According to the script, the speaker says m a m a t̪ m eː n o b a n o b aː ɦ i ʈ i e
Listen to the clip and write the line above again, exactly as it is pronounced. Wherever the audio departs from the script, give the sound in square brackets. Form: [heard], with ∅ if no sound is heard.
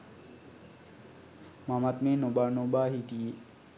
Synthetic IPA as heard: m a m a t̪ m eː n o b a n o b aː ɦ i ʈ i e